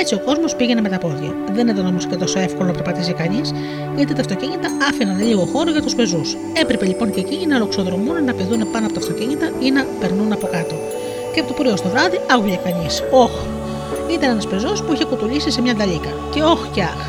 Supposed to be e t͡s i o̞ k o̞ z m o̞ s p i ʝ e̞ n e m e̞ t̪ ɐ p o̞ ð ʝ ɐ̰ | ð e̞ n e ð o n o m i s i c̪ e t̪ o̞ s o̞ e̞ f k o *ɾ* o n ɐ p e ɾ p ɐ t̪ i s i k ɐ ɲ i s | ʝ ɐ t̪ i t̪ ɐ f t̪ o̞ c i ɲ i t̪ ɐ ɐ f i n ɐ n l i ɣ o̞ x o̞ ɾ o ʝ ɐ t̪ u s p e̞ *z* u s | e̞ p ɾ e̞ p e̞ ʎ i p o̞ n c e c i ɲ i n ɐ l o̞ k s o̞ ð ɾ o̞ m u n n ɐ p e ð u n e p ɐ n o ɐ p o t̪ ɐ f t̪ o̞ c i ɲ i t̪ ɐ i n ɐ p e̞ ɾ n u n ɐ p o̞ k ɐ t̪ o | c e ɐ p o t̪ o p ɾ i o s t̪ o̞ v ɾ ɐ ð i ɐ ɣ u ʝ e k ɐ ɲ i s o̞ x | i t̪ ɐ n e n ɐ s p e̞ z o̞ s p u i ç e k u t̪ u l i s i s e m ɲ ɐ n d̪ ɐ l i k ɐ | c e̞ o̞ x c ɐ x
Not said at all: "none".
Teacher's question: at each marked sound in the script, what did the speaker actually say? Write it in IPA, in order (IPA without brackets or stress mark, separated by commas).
l, z